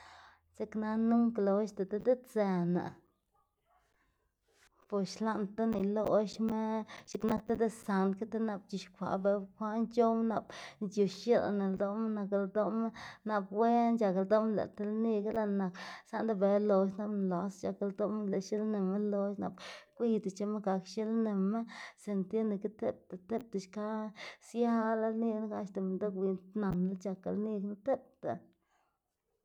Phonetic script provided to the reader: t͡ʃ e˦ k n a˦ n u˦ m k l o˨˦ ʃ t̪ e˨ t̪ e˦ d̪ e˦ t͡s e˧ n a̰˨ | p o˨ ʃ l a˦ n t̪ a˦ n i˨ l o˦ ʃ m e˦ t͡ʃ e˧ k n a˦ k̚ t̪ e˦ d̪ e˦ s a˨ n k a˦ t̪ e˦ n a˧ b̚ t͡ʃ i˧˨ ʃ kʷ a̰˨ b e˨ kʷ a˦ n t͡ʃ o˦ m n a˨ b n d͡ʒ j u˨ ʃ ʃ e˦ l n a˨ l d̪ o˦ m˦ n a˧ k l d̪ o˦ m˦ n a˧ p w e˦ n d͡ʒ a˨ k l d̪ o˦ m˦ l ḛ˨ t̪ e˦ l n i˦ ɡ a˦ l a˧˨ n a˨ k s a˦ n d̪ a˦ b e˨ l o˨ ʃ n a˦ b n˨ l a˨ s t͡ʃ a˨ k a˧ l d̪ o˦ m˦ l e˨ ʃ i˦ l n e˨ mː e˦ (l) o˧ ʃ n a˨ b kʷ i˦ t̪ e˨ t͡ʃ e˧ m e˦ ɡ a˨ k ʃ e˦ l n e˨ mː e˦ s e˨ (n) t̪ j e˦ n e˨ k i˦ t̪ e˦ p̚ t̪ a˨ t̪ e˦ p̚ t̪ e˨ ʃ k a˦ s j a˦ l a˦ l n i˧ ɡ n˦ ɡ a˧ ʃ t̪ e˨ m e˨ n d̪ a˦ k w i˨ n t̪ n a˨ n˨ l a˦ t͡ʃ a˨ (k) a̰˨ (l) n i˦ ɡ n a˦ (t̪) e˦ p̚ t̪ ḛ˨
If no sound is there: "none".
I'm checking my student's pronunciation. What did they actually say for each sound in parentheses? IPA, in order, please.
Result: l, n, k, l, t̪

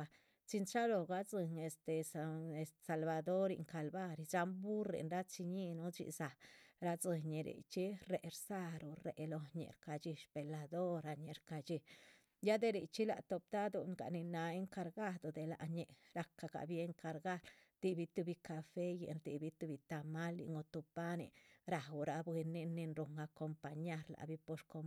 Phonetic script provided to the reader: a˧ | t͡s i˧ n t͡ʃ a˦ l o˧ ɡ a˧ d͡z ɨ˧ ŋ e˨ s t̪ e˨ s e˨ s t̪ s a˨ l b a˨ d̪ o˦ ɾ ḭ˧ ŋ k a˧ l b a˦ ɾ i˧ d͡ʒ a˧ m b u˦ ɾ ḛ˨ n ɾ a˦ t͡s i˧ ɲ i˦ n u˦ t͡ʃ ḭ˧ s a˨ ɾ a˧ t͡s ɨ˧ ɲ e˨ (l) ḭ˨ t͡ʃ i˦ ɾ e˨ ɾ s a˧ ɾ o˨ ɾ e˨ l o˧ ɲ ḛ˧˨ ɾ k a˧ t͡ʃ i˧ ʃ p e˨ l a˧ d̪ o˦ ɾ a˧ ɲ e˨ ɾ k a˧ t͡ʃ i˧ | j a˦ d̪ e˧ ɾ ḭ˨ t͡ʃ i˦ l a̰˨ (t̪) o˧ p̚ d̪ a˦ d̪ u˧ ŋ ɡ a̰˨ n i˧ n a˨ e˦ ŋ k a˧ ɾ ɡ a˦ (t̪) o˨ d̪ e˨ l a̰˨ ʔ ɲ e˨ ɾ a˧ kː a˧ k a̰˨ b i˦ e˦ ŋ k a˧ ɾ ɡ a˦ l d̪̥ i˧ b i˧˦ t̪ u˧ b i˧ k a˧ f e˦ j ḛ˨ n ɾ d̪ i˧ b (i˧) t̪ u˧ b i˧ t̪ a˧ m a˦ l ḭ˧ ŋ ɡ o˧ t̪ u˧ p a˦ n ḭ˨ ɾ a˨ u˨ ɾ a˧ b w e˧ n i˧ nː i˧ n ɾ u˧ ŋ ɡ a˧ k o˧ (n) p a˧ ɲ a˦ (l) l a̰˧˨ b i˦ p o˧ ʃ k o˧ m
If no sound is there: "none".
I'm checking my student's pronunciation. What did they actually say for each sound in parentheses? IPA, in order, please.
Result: ɾ, t̪, d̪, i˧, m, ɾ

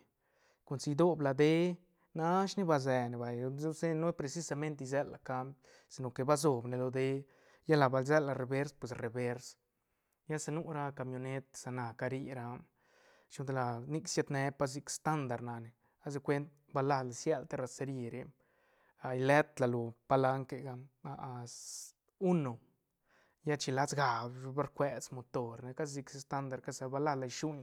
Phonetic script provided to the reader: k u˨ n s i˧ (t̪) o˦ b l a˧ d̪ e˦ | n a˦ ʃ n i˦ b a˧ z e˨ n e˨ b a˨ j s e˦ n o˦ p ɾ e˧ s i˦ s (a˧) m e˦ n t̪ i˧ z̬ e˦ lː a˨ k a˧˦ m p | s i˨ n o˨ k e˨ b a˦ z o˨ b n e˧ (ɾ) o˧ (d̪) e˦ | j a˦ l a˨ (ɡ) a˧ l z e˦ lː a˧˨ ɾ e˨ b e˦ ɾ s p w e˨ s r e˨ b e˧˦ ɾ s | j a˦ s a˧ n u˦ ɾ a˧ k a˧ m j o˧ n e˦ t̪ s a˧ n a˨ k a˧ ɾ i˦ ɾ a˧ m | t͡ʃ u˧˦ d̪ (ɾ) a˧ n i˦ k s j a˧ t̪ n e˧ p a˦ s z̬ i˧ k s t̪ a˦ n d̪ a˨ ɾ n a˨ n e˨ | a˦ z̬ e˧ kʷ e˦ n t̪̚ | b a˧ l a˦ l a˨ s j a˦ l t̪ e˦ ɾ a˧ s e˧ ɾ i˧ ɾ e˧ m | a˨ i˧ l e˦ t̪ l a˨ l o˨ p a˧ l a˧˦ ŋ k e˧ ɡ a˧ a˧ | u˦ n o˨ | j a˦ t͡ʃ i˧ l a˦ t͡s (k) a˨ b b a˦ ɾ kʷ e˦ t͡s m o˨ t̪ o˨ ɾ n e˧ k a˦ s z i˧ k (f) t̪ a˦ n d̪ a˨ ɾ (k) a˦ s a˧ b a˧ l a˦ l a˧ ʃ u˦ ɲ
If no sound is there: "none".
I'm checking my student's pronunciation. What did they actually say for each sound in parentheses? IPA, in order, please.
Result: d̪, a˧, l, d̪, b, l, ɡ, s, k

